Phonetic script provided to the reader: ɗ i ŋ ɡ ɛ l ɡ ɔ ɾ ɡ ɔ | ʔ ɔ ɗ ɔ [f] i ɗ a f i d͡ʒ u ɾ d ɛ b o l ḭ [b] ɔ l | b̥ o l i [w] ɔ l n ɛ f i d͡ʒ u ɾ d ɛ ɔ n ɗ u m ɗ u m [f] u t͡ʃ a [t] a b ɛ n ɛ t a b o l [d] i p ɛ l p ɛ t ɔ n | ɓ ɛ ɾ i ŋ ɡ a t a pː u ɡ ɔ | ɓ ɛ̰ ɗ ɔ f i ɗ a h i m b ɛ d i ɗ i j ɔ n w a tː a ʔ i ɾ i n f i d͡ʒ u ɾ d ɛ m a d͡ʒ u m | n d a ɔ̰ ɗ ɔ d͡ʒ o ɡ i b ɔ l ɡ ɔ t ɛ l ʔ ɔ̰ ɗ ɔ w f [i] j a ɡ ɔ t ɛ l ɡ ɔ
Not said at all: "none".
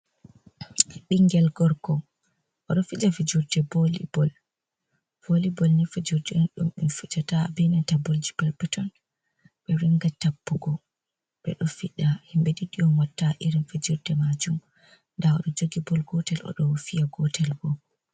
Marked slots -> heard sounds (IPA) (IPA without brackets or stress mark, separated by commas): f, b, b, f, t, d͡ʒ, i